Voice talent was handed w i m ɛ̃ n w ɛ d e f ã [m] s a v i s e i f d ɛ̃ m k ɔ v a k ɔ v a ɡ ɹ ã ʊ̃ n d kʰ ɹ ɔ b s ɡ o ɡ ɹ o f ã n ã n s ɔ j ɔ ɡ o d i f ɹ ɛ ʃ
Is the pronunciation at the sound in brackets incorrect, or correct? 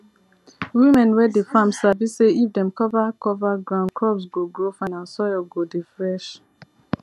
correct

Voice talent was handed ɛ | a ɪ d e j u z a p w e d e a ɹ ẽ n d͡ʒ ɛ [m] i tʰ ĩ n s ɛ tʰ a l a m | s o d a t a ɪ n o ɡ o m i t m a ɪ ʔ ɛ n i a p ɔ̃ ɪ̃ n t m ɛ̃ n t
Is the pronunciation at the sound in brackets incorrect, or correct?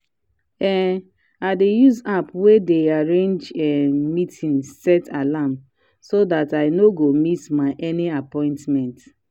correct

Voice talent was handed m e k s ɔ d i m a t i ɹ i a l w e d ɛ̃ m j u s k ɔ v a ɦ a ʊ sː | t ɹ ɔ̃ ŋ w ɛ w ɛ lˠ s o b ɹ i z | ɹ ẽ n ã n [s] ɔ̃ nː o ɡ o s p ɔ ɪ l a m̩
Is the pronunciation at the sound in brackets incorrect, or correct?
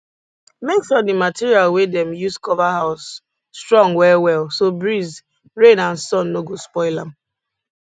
correct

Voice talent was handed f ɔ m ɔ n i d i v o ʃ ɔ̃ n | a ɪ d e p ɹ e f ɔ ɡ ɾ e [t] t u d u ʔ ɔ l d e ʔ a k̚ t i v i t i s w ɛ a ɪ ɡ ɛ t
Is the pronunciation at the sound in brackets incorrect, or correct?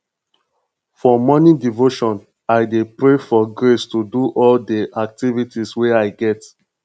incorrect: s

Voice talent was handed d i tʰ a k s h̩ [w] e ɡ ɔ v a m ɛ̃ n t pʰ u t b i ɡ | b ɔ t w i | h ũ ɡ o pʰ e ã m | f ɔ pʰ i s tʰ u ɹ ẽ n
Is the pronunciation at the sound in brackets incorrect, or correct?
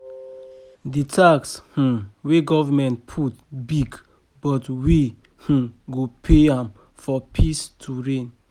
correct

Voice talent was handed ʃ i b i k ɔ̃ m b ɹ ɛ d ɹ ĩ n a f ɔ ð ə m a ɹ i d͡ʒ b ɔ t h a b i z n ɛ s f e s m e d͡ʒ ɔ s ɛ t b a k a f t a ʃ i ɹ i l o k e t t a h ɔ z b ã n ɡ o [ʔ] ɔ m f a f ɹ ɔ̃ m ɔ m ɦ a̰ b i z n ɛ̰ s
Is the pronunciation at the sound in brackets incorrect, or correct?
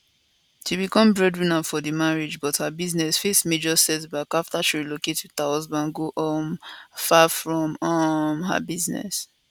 correct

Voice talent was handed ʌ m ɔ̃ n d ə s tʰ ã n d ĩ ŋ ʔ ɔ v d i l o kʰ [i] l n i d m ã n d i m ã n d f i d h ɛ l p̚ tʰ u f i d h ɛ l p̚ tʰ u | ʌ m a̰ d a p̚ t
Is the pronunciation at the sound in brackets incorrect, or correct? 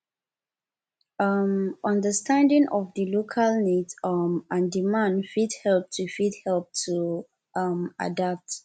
incorrect: a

